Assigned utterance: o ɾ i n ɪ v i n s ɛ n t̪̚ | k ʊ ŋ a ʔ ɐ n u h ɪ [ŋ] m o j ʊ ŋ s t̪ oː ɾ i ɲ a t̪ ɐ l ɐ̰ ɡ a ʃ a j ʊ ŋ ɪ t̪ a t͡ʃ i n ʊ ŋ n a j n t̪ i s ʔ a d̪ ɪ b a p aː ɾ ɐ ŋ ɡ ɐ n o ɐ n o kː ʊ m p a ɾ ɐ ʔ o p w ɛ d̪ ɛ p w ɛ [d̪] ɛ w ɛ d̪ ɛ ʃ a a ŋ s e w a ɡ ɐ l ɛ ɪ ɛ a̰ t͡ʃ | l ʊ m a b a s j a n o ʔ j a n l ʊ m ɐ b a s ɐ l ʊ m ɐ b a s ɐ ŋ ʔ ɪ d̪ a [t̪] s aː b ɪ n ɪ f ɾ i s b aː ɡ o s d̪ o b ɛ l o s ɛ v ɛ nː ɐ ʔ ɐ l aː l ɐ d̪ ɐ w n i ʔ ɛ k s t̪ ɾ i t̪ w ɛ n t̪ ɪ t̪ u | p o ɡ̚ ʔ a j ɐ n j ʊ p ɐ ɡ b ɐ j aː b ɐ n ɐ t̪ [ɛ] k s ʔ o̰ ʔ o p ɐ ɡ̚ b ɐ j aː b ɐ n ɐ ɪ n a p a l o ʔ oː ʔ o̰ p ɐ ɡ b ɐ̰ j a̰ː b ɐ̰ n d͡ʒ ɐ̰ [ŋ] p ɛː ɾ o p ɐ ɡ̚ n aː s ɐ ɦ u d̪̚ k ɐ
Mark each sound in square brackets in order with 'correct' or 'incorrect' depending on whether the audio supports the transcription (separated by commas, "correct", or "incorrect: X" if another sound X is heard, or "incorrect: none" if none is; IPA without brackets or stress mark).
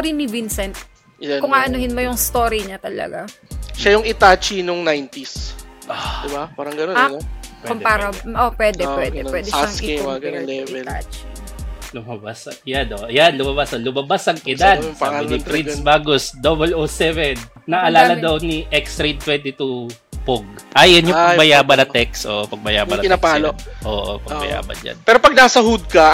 incorrect: n, correct, incorrect: d̪, correct, incorrect: n